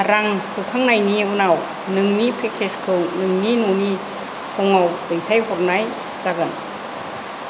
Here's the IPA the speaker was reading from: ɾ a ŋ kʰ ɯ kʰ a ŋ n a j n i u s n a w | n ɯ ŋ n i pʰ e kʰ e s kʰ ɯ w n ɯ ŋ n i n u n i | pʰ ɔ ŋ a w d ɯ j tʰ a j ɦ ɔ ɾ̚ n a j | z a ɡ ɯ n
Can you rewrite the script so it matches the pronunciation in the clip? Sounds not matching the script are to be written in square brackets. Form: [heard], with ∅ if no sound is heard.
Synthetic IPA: ɾ a ŋ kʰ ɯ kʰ a ŋ n a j n i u [∅] n a w | n ɯ ŋ n i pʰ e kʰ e s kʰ ɯ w n ɯ ŋ n i n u n i | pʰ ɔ ŋ a w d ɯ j tʰ a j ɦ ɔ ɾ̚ n a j | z a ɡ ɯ n

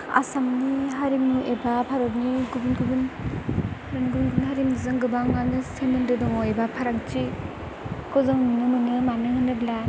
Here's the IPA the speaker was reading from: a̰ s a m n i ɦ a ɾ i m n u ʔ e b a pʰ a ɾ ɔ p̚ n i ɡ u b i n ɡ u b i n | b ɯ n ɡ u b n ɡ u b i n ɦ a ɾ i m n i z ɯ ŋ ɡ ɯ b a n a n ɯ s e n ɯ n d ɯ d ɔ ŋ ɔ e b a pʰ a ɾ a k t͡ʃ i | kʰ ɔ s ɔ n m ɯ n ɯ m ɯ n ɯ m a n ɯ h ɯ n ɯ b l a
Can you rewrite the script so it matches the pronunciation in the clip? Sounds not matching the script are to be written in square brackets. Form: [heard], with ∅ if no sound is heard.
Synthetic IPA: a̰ s a m n i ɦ a ɾ i m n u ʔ e b a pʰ a ɾ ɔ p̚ n i ɡ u b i n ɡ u b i n | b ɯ n ɡ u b n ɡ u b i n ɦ a ɾ i m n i z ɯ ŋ ɡ ɯ b a [ŋ] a n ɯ s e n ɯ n d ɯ d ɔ ŋ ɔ e b a pʰ a ɾ a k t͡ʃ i | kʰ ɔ [z] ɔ [ŋ] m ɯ n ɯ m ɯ n ɯ m a n ɯ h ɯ n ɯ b l a

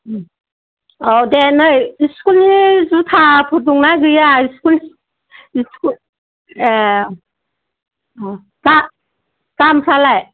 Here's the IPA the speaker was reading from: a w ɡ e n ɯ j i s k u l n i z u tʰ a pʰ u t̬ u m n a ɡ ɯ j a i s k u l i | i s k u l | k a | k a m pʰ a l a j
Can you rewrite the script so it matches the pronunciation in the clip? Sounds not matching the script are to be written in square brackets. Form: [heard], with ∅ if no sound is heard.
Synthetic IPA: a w [d] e n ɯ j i s k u l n i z u tʰ a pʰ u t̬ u [ŋ] n a ɡ ɯ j a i s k u l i | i s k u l | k a | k a m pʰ a l a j

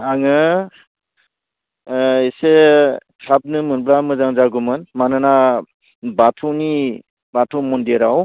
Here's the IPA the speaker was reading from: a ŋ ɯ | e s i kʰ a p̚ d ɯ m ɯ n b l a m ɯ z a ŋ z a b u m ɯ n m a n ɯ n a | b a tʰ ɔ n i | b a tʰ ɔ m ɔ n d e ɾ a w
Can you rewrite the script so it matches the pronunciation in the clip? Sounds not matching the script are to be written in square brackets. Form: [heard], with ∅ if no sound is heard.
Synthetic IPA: a ŋ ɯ | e s [e] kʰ a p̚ [n] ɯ m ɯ n b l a m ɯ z a ŋ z a [ɡ] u m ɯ n m a n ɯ n a | b a tʰ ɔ n i | b a tʰ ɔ m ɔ n d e ɾ a w

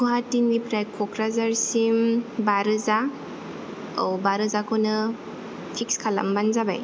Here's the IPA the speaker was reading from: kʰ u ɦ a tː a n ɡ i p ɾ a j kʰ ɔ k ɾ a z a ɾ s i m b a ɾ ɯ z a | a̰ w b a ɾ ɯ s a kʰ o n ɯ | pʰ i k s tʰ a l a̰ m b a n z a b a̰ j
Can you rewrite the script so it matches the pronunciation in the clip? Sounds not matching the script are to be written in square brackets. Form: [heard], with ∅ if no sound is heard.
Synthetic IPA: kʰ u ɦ a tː [i] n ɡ i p ɾ a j kʰ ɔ k ɾ a z a ɾ s i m b a ɾ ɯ z a | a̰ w b a ɾ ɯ [z] a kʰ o n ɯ | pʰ i k s [kʰ] a l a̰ m b a n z a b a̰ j

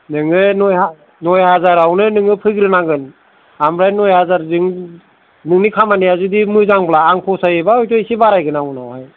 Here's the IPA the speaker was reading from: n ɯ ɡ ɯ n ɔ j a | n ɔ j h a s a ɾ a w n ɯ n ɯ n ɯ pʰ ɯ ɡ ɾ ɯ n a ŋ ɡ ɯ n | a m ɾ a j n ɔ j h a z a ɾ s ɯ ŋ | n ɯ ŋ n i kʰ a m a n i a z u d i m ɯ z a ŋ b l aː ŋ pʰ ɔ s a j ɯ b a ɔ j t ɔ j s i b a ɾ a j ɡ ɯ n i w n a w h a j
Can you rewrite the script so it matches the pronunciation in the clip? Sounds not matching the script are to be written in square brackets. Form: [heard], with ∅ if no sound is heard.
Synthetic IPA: n ɯ [ŋ] ɯ n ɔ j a | n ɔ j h a [z] a ɾ a w n ɯ n ɯ [ŋ] ɯ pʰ ɯ ɡ ɾ ɯ n a ŋ ɡ ɯ n | a m ɾ a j n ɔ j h a z a ɾ [z] ɯ ŋ | n ɯ ŋ n i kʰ a m a n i a z u d i m ɯ z a ŋ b l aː ŋ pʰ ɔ s a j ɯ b a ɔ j t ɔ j s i b a ɾ a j ɡ ɯ n [a] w n a w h a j

